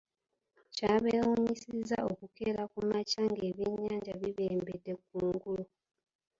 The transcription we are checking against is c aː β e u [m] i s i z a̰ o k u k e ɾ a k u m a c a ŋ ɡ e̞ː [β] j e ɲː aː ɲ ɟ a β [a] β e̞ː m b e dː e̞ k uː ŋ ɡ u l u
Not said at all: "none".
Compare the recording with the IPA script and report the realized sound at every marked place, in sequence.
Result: ɲ, β, i

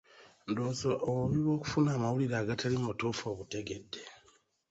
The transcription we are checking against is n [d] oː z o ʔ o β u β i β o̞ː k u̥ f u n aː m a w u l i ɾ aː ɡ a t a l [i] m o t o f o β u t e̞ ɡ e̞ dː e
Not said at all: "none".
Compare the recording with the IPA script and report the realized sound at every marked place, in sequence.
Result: d, i

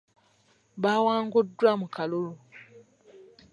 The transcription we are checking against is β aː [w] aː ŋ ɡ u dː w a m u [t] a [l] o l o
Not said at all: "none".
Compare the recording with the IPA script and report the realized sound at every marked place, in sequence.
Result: w, k, l

